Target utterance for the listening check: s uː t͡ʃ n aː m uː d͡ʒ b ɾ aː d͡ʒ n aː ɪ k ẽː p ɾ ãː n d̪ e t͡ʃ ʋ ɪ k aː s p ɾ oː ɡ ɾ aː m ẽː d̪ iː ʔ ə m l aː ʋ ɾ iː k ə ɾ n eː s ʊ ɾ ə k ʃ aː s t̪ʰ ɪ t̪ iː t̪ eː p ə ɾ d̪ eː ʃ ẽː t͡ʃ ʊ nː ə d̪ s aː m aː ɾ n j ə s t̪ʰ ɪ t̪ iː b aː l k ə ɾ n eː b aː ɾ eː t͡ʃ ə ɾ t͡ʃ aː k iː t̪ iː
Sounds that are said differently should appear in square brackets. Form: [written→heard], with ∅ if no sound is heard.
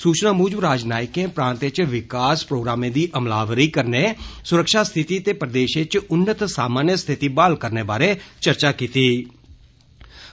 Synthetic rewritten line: s uː t͡ʃ n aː m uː d͡ʒ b ɾ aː d͡ʒ n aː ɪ k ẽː p ɾ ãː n [d̪→t̪] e t͡ʃ ʋ ɪ k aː s p ɾ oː ɡ ɾ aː m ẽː d̪ iː ʔ ə m l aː ʋ ɾ iː k ə ɾ n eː s ʊ ɾ ə k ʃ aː s t̪ʰ ɪ t̪ iː t̪ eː p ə ɾ d̪ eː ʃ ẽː t͡ʃ ʊ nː ə [d̪→t̪] s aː m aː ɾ n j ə s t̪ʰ ɪ t̪ iː b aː l k ə ɾ n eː b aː ɾ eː t͡ʃ ə ɾ t͡ʃ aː k iː t̪ iː